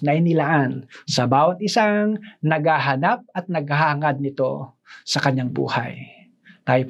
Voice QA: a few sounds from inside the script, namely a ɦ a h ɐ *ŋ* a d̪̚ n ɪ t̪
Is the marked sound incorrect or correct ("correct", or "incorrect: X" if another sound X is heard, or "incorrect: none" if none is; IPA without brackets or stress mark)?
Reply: correct